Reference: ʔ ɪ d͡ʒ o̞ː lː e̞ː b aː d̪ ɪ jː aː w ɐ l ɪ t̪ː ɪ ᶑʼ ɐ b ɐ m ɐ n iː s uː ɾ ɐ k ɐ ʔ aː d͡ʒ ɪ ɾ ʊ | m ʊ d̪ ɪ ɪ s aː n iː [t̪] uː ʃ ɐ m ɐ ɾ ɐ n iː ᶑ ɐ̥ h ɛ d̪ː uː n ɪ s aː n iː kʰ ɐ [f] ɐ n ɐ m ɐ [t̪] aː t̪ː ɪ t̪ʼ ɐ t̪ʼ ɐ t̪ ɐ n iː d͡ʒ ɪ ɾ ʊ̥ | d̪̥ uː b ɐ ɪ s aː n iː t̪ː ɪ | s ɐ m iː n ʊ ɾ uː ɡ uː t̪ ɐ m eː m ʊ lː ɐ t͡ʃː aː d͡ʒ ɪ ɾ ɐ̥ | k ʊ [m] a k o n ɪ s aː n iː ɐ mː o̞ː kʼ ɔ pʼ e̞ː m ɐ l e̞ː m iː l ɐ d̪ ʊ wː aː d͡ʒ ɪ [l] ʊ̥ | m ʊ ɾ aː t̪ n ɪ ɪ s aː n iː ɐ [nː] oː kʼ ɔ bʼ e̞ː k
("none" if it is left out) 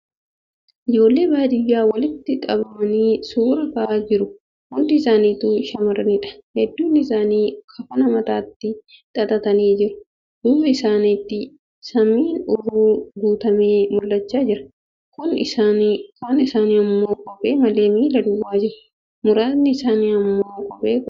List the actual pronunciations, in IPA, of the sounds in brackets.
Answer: t̪, f, t̪, n, ɾ, mː

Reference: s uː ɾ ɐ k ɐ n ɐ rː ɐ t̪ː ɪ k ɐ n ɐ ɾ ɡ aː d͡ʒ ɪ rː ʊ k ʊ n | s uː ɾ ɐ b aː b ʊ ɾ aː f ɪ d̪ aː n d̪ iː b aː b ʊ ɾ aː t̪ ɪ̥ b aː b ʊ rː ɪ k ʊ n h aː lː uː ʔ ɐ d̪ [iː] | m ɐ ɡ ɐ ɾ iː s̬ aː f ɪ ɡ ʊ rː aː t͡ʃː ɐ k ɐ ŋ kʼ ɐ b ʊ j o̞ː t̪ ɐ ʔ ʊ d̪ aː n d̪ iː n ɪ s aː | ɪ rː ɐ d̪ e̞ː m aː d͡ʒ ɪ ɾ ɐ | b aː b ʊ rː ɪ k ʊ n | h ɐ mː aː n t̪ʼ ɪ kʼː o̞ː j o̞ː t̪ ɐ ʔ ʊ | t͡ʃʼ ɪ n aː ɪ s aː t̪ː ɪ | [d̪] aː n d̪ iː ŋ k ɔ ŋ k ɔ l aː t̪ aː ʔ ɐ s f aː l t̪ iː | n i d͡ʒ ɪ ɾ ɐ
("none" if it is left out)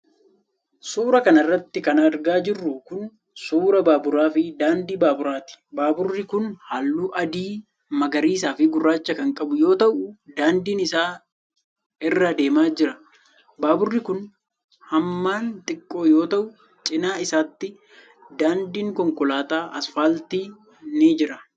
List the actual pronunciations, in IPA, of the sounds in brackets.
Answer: iː, d̪

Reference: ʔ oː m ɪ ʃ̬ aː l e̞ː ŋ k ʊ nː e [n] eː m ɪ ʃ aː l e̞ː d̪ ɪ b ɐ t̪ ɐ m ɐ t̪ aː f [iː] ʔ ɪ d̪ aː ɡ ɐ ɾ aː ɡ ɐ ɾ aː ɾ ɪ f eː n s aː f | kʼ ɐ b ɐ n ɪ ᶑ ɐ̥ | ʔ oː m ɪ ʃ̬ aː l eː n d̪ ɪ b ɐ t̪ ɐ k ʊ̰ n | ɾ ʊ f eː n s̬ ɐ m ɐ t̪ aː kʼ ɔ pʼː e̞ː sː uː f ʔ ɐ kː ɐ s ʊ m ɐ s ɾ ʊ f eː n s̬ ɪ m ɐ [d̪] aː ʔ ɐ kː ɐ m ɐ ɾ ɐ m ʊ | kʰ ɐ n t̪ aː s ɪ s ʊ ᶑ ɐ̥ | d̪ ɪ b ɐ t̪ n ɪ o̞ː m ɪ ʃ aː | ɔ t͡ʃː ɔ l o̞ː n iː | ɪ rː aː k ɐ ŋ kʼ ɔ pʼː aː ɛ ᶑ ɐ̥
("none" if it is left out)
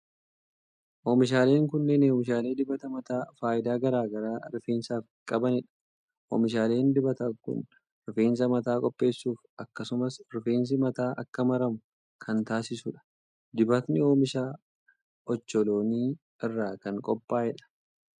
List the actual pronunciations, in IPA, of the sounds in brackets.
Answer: n, aː, t̪

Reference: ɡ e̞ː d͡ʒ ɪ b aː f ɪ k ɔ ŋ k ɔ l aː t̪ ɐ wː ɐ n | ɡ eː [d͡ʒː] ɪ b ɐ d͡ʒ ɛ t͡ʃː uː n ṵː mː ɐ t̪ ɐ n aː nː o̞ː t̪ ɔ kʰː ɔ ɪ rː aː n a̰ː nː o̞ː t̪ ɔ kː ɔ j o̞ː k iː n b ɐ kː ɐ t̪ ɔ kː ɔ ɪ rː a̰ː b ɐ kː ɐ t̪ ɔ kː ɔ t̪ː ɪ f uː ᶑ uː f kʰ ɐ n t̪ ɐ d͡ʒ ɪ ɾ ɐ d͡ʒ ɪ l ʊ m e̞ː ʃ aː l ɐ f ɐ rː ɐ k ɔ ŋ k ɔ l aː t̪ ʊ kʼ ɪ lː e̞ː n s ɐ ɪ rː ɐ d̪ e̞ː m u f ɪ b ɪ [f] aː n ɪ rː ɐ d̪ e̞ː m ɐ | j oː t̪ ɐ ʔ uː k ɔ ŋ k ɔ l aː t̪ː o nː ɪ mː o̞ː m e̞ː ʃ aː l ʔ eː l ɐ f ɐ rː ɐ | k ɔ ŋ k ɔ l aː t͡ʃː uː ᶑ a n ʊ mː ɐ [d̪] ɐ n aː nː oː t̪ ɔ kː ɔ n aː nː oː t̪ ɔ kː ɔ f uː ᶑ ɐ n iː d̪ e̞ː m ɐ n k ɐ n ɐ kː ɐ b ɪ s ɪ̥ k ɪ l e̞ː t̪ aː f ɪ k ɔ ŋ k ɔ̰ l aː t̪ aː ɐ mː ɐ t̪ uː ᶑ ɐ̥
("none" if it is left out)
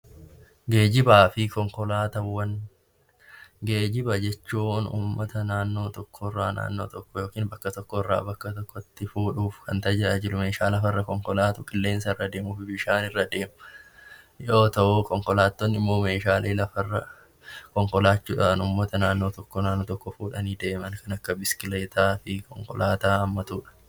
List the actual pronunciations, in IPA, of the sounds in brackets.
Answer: d͡ʒ, ʃ, t̪

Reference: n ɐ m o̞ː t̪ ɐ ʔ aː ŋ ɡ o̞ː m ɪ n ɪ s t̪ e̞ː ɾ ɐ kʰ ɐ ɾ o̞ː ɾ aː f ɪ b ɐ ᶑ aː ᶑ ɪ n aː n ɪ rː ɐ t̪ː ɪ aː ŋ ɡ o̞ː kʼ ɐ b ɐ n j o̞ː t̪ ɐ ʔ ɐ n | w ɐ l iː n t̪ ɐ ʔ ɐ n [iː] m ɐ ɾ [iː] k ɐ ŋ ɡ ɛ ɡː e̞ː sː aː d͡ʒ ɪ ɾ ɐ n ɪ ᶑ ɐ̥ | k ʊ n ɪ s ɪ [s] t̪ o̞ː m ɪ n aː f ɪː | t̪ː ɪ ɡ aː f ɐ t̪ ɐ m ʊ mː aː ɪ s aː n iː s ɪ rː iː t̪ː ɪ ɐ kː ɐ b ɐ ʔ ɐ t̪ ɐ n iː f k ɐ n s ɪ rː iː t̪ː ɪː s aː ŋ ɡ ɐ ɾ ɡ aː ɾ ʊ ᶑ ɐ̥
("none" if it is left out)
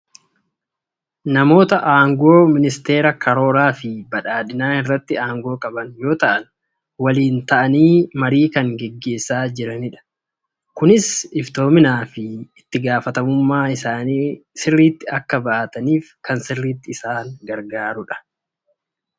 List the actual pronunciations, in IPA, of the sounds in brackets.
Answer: iː, iː, f

